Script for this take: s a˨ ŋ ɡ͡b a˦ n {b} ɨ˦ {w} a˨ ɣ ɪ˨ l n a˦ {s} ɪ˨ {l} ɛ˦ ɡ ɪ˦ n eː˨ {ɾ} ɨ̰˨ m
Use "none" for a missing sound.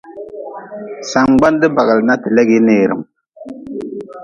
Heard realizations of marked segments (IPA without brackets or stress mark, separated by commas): d, b, t, l, ɾ